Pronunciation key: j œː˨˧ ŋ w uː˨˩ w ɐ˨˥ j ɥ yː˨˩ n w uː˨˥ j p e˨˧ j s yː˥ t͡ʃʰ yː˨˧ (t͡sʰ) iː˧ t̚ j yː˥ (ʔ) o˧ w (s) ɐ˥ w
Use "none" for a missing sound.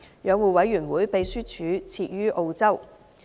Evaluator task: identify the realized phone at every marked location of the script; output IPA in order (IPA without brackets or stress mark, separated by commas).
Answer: t͡sʰ, ʔ, t͡s